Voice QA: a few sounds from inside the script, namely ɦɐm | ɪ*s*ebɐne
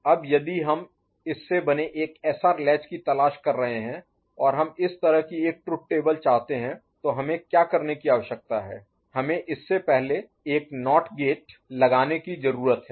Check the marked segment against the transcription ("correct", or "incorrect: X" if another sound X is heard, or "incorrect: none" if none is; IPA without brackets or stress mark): incorrect: sː